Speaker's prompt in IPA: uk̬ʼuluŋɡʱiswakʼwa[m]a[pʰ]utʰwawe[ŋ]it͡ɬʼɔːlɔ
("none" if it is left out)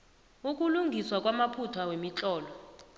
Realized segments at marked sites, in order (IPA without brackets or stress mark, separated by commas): m, pʰ, m